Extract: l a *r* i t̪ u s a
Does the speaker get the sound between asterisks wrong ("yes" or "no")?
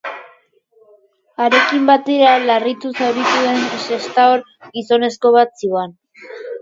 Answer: no